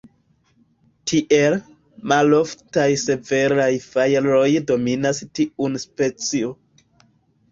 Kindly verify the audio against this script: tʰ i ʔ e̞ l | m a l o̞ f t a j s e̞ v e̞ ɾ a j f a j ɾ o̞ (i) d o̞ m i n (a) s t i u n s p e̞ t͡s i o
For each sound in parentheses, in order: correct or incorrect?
incorrect, correct

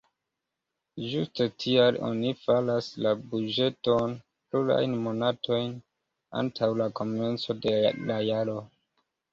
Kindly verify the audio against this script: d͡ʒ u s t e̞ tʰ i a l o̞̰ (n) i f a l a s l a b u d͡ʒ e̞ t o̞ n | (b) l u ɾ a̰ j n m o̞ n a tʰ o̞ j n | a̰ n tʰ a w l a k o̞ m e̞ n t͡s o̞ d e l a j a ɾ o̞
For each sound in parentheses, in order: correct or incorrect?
correct, incorrect

